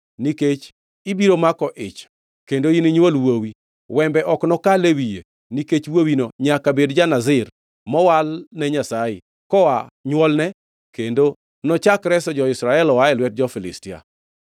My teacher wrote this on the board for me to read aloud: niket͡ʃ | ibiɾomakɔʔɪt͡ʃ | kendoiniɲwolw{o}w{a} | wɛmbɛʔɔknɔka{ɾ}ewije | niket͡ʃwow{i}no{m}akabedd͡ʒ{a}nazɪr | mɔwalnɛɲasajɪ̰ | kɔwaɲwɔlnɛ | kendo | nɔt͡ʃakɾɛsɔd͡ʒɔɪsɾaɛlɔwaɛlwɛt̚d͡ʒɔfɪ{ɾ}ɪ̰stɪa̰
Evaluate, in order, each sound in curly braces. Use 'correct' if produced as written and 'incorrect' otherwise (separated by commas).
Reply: correct, incorrect, incorrect, correct, incorrect, correct, incorrect